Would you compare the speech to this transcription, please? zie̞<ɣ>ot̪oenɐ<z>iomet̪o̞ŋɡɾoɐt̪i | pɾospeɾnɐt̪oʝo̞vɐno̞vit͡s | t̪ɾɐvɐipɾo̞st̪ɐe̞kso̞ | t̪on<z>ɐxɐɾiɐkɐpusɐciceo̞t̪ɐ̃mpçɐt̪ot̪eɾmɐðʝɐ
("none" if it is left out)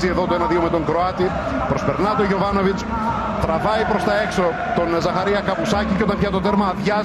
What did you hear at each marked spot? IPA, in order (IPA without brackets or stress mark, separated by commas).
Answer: ð, ð, z